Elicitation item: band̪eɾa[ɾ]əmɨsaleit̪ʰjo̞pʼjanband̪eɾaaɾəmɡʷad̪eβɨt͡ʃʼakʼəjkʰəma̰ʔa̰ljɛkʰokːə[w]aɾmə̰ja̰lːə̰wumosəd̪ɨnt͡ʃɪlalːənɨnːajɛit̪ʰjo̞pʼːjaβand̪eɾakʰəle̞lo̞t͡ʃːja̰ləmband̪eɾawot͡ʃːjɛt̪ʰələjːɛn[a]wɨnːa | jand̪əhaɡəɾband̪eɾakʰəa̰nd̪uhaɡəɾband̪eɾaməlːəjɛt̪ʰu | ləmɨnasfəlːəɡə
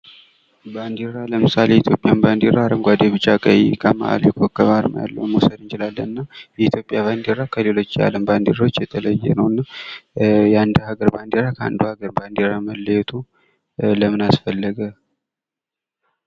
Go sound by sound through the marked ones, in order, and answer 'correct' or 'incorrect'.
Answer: incorrect, incorrect, incorrect

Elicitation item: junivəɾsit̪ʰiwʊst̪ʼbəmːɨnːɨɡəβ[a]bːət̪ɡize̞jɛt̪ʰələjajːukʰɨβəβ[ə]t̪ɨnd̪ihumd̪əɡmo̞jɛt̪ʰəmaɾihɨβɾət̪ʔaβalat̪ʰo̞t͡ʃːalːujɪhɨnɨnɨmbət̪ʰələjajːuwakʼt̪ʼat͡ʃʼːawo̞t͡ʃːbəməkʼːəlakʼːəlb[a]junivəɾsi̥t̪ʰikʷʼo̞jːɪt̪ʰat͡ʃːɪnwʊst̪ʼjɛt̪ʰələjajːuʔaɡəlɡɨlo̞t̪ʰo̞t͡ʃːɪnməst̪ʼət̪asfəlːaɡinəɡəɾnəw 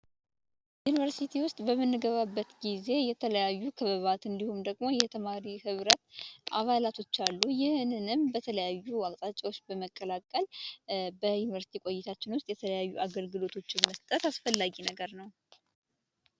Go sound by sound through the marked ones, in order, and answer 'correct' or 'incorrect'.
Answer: correct, incorrect, incorrect

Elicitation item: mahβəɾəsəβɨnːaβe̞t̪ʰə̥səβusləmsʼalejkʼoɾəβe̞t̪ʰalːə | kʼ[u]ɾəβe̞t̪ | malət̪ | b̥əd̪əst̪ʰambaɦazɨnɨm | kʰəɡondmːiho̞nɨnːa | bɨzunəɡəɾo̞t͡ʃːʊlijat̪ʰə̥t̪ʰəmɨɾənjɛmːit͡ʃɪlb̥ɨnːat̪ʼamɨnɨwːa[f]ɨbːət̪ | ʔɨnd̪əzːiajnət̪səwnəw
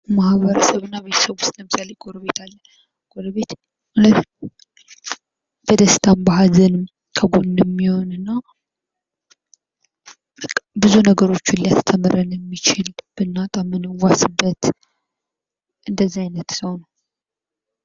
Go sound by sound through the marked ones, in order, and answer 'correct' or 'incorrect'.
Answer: incorrect, incorrect

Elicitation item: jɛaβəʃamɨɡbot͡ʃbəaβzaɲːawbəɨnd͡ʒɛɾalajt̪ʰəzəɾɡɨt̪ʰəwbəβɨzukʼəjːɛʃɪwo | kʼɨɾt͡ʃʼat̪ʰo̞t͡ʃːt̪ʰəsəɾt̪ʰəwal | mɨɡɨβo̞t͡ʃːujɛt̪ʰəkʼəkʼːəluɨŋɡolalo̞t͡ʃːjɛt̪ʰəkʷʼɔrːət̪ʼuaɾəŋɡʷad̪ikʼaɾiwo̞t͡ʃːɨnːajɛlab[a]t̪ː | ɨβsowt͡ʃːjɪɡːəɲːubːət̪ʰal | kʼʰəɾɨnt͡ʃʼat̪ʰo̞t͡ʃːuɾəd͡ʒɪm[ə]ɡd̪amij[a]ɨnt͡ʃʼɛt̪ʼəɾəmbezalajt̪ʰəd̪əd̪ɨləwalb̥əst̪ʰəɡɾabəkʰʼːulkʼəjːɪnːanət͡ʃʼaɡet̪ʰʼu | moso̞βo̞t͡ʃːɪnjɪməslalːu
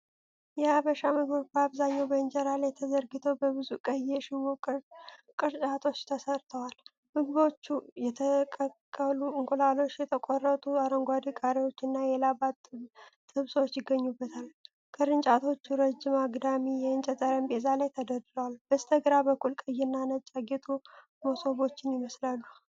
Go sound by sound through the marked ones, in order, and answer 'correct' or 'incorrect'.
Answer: correct, incorrect, incorrect

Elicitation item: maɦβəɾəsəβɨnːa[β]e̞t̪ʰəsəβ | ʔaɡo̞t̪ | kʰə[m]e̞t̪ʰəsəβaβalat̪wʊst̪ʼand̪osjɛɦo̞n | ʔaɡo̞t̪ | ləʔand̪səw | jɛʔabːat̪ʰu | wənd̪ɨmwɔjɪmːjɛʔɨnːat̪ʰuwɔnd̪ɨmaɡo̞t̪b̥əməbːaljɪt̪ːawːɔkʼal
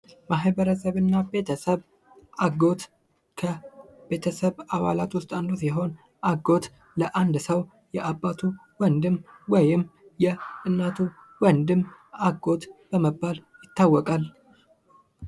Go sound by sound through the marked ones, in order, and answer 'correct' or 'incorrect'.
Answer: incorrect, incorrect

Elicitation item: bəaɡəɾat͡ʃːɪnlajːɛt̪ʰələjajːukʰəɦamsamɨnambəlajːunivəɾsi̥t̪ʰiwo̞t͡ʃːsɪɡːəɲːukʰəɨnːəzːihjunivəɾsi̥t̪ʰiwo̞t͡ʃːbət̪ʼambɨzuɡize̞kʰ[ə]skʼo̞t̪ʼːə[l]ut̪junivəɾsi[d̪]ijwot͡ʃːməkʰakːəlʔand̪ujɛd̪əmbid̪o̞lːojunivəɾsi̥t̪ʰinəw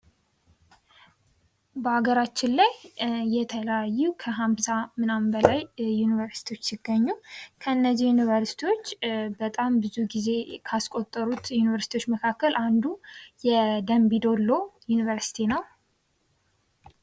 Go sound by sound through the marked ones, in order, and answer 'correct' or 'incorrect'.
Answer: incorrect, incorrect, incorrect

